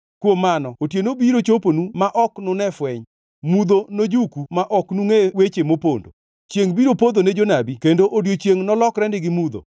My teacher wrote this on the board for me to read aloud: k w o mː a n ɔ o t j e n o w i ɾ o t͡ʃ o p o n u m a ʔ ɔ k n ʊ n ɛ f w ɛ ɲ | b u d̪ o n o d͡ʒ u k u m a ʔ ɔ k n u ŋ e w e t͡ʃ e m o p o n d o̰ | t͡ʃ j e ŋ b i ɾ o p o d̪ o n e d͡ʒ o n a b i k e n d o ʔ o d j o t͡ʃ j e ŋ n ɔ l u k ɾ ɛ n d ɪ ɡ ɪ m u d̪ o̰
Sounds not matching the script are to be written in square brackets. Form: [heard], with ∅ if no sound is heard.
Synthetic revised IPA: k w o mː a n ɔ o t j e n o [b] i ɾ o t͡ʃ o p o n u m a ʔ ɔ k n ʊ n ɛ f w ɛ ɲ | [m] u d̪ o n o d͡ʒ u k u m a ʔ ɔ k n u ŋ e w e t͡ʃ e m o p o n d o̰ | t͡ʃ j e ŋ b i ɾ o p o d̪ o n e d͡ʒ o n a b i k e n d o ʔ o d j o t͡ʃ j e ŋ n ɔ l [ɔ] k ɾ ɛ n d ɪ ɡ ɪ m u d̪ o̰